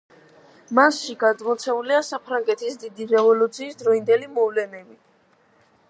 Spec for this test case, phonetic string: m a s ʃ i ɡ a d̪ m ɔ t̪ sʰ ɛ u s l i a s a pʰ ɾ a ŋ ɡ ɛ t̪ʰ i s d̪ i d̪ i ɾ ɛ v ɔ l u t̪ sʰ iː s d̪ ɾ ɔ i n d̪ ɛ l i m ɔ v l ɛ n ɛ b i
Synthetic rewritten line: m a s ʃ i ɡ a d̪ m ɔ t̪ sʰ ɛ u l i a s a pʰ ɾ a ŋ ɡ ɛ t̪ʰ i s d̪ i d̪ i ɾ ɛ v ɔ l u t̪ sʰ iː s d̪ ɾ ɔ i n d̪ ɛ l i m ɔ v l ɛ n ɛ b i